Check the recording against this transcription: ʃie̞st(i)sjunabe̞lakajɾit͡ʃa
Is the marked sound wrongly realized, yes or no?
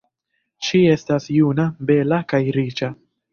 yes